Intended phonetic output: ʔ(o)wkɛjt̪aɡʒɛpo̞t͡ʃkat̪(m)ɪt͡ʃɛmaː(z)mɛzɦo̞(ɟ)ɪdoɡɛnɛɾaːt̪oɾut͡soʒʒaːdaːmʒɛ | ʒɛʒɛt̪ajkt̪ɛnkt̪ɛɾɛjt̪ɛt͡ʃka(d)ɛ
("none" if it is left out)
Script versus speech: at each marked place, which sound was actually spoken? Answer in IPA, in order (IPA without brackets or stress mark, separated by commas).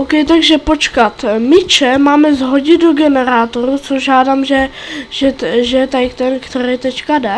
o, m, none, ɟ, d